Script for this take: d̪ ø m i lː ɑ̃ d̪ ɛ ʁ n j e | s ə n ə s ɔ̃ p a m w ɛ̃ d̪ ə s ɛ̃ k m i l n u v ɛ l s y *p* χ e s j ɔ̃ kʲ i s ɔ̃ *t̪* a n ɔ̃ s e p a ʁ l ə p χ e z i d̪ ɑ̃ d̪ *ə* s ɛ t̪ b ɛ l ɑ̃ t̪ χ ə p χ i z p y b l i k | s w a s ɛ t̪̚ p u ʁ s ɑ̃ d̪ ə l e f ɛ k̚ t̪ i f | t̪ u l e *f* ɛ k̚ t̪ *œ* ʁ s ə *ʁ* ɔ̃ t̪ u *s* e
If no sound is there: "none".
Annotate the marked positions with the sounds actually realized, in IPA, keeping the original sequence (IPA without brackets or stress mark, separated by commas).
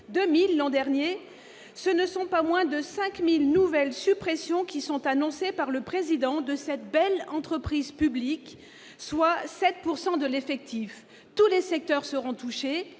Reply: p, t̪, ə, s, œ, ʁ, ʃ